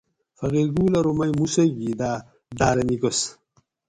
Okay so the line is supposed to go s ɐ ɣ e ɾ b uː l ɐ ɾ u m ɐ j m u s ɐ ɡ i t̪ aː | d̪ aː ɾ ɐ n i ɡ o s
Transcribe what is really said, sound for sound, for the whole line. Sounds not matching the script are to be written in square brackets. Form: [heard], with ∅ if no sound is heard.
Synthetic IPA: [f] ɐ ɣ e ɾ [ɡ] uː l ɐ ɾ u m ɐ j m u s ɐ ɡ i [d̪] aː | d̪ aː ɾ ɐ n i ɡ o s